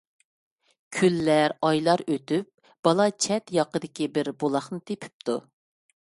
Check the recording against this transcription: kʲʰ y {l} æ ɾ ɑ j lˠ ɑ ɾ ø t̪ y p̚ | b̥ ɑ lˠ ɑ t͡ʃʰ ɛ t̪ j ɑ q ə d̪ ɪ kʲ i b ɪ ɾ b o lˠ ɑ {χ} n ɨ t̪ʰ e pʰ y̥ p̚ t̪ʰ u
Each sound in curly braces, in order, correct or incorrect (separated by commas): incorrect, correct